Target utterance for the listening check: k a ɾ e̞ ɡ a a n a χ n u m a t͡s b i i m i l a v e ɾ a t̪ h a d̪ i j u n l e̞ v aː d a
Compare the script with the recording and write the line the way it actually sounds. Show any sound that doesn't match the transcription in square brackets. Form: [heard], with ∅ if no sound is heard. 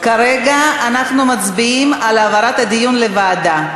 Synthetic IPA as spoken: k a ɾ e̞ ɡ a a n a χ n u m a t͡s b i i m [a] l a v [a] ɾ a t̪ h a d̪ i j u n l e̞ v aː d a